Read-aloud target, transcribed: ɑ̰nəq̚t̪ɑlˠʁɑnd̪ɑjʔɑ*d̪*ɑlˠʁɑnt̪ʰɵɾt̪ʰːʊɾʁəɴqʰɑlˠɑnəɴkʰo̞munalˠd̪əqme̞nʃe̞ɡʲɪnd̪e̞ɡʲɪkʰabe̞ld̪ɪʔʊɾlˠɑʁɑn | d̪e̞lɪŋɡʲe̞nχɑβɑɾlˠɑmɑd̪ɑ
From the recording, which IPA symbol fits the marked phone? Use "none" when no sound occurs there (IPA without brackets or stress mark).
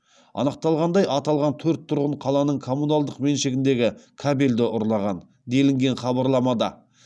t̪